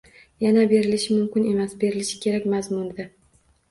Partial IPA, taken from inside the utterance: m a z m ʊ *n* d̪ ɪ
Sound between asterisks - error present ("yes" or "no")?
no